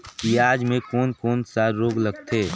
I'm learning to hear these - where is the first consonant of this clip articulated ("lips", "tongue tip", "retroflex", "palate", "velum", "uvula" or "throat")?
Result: velum